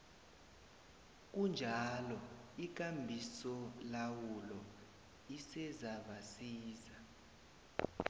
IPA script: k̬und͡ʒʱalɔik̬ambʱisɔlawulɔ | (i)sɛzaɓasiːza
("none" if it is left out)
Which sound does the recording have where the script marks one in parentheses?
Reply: i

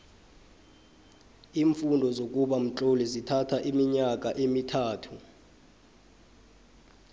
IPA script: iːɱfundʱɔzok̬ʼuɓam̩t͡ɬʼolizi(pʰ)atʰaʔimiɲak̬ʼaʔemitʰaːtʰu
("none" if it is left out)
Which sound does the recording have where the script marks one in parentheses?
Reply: tʰ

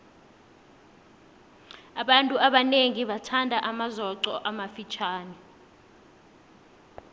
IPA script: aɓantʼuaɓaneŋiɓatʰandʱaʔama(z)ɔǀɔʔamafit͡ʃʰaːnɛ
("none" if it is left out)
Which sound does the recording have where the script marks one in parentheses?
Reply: z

